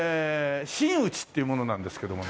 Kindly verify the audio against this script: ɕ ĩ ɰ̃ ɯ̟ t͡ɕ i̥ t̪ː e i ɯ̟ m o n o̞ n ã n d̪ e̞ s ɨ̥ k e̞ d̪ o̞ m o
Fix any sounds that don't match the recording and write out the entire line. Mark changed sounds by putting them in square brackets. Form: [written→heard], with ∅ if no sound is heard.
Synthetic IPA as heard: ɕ ĩ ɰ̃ ɯ̟ t͡ɕ i̥ t̪ː e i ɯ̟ m o n o̞ n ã n d̪ e̞ s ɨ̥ k e̞ d̪ o̞ m o